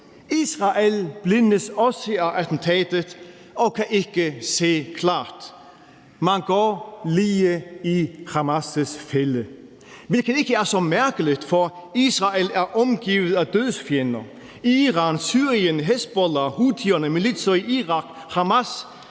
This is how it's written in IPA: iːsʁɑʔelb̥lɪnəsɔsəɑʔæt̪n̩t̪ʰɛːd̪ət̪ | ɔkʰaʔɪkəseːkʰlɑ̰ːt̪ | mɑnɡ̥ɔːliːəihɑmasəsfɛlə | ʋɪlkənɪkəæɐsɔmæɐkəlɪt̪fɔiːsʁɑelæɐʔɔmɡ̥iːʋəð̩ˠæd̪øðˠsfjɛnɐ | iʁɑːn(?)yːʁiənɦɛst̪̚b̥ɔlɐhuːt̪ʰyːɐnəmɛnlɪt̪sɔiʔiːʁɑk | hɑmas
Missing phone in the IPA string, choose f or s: s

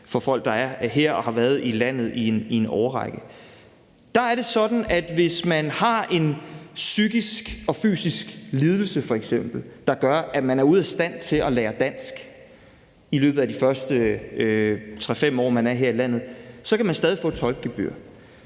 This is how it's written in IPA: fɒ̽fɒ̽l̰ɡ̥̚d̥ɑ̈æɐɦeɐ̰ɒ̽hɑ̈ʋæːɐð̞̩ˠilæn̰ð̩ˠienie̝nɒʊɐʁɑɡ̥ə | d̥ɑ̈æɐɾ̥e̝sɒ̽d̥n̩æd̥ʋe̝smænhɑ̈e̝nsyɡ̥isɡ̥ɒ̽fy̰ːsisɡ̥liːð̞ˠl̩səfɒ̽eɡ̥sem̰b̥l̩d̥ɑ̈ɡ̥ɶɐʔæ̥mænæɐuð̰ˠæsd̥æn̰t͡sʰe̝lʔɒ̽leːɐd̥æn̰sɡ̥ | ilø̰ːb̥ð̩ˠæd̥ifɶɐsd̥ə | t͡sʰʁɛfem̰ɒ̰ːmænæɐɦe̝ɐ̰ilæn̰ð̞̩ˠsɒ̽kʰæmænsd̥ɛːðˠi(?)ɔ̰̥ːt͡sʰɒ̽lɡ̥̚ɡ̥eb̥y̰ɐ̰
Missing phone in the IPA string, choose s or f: f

